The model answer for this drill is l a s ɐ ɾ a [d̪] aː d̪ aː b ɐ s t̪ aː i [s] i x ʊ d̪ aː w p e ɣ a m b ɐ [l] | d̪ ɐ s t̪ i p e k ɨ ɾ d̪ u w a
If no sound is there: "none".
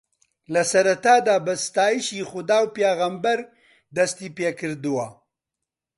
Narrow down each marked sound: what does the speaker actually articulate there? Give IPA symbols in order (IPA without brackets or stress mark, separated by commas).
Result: t̪, ʃ, ɾ